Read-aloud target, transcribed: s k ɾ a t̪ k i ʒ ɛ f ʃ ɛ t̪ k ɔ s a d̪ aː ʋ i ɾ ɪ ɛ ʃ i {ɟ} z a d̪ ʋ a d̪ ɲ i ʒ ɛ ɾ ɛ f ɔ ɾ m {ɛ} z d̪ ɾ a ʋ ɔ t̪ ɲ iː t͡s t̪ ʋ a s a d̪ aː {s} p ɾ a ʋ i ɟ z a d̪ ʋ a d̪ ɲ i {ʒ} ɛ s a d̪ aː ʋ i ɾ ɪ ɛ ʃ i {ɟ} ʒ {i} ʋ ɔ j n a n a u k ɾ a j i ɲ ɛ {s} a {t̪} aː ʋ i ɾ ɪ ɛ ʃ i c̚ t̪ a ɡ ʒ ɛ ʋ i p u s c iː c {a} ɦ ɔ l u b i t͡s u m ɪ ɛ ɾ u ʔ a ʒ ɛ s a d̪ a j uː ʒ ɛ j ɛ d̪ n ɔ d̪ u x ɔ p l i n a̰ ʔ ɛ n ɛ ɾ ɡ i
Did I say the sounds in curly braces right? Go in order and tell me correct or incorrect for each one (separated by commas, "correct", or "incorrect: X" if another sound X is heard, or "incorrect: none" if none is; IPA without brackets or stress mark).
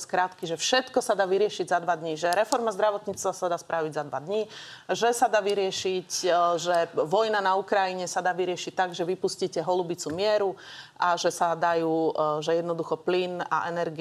correct, incorrect: a, correct, correct, incorrect: c, incorrect: ɛ, correct, incorrect: d̪, incorrect: ɛ